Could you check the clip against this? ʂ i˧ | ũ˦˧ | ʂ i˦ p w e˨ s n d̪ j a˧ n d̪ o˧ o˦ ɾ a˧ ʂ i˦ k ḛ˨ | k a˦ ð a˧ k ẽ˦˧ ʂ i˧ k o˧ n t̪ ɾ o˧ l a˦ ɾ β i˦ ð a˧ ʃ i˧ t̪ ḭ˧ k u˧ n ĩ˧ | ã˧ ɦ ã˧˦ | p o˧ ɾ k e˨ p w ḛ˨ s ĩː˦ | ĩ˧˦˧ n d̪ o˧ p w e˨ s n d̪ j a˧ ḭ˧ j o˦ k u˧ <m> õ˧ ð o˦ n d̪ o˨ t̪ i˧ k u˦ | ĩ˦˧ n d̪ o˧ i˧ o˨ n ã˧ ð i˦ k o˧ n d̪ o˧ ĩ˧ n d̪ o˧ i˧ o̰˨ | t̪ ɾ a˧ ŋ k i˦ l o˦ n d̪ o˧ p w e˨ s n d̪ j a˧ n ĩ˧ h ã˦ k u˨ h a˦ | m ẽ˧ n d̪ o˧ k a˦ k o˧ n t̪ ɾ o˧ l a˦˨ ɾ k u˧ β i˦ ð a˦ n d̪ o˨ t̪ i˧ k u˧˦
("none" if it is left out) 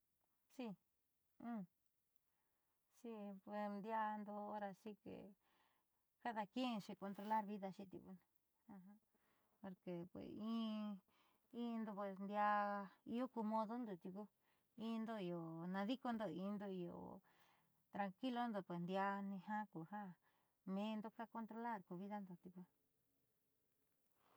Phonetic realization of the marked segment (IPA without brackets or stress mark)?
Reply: m